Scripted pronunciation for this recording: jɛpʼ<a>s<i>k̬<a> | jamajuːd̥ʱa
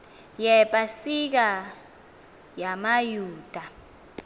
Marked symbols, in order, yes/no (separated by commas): yes, yes, yes